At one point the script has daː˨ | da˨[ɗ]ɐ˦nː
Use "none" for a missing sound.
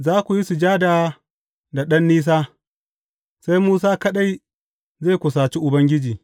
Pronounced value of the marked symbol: ɗ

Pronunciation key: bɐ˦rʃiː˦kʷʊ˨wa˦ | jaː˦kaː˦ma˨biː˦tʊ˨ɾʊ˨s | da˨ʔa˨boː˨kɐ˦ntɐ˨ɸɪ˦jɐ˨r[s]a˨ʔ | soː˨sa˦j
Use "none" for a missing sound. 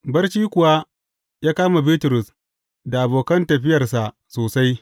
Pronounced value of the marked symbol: s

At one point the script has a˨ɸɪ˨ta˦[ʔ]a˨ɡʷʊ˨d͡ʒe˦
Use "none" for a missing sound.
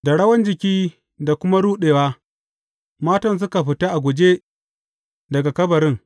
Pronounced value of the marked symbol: ʔ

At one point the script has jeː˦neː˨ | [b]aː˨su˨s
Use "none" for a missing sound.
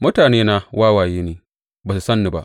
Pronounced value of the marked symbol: b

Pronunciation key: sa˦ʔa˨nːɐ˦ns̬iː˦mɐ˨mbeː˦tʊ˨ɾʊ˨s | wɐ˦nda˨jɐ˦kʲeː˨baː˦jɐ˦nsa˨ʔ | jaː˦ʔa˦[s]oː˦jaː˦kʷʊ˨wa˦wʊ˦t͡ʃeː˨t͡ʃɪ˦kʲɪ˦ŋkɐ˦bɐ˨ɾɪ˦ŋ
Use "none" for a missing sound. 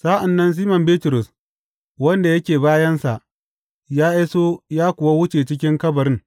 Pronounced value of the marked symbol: s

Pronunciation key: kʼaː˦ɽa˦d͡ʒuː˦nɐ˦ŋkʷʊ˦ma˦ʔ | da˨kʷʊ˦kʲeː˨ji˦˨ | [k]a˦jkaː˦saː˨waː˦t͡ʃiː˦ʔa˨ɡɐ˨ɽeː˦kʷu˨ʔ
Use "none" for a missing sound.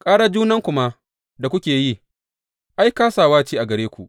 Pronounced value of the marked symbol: ʔ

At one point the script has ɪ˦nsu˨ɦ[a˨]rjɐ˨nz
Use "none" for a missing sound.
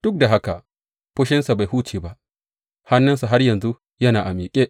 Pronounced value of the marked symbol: a˦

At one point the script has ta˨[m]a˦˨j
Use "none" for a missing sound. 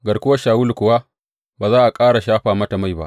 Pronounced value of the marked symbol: m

